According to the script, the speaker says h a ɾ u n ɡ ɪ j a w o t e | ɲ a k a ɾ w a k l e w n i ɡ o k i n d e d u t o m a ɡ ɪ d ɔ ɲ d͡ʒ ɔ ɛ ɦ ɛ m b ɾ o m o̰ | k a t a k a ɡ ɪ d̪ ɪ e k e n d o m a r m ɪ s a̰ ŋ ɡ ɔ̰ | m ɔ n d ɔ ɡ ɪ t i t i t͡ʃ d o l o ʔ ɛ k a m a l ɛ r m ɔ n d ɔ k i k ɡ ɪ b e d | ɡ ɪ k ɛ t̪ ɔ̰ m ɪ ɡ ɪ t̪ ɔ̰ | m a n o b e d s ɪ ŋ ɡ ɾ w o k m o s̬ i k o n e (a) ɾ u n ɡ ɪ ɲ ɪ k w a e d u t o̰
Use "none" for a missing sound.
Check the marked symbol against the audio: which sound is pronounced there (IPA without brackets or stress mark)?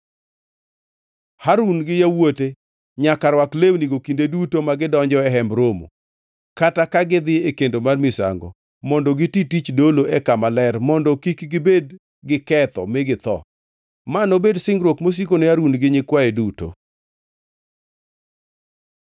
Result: a